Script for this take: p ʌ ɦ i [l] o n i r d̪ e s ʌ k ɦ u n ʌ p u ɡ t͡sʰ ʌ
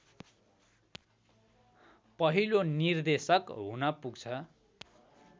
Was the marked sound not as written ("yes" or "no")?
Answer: no